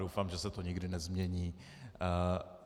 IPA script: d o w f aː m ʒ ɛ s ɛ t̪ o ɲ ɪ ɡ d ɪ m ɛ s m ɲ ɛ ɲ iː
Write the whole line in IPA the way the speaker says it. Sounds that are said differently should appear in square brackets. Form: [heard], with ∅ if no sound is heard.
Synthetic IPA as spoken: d o w f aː m ʒ ɛ s ɛ t̪ o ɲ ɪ ɡ d ɪ [n] ɛ [z] m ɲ ɛ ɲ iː